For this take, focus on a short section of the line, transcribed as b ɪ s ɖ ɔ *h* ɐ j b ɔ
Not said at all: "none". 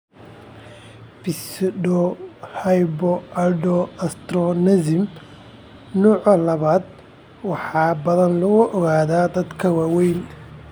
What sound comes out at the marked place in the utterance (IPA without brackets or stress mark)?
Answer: h